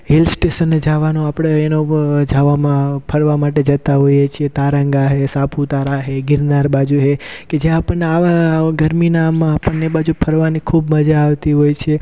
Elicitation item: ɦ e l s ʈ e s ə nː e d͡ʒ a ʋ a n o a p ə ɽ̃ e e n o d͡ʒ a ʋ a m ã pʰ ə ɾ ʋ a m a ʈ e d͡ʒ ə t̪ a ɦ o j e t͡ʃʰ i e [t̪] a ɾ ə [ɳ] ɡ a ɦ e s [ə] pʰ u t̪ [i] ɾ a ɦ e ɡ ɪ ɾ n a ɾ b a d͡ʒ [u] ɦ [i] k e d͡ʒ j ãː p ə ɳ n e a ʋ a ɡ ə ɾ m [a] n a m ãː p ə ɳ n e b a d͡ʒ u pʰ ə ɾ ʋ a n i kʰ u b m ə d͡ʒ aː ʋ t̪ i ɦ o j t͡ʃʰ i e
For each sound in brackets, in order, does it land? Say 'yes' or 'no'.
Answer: yes, no, no, no, yes, no, no

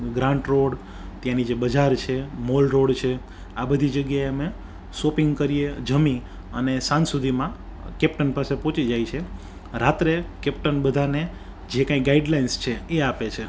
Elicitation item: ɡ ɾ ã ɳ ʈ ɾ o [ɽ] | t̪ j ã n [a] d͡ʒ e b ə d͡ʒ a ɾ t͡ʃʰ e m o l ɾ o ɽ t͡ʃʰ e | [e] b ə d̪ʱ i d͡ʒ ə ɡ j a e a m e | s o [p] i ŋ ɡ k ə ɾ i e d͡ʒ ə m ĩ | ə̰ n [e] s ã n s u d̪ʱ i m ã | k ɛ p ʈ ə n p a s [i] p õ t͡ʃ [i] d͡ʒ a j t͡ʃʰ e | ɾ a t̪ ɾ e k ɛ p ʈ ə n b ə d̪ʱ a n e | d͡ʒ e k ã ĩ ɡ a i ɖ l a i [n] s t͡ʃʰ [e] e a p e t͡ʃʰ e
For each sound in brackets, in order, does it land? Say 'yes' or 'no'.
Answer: yes, no, no, yes, yes, no, yes, yes, yes

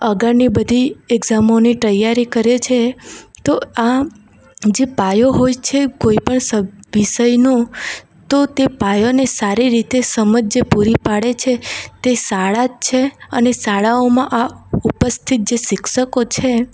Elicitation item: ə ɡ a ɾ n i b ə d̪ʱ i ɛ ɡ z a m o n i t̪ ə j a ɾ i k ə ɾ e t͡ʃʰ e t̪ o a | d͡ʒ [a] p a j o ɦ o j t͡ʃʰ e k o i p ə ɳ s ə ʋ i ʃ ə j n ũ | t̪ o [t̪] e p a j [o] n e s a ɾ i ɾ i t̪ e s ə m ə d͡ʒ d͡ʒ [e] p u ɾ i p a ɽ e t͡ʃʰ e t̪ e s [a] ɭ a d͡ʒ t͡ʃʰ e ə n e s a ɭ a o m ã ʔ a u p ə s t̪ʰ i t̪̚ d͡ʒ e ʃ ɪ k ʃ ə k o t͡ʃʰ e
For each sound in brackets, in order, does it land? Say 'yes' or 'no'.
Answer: no, yes, yes, yes, yes

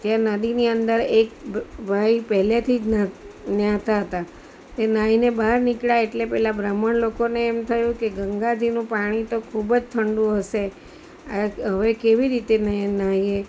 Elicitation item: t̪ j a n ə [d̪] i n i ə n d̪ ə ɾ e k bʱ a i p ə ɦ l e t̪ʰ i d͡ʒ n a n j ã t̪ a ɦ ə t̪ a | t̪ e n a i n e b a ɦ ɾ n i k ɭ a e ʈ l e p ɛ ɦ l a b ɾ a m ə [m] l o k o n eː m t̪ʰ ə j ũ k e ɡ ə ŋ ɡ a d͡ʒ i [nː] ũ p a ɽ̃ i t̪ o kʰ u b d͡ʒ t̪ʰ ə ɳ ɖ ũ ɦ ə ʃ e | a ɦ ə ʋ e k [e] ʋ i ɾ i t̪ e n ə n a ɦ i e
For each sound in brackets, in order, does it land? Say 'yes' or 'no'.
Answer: yes, no, no, yes

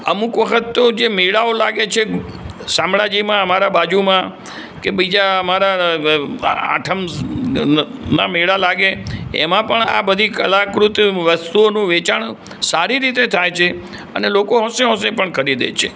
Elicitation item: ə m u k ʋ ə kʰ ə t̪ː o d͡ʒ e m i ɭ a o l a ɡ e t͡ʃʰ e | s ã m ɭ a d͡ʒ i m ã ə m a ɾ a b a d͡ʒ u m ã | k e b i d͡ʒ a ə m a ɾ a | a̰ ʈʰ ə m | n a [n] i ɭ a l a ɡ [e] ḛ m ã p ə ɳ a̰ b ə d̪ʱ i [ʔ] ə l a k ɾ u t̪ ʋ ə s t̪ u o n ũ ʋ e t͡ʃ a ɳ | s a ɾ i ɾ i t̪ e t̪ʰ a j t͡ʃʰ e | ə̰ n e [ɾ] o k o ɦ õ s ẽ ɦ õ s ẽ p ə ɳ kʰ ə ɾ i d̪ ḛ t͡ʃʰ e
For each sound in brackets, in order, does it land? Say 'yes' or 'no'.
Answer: no, yes, no, no

